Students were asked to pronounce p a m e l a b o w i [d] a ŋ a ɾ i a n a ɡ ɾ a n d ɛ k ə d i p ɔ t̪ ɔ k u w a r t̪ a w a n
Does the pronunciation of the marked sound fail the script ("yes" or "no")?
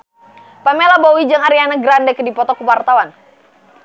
yes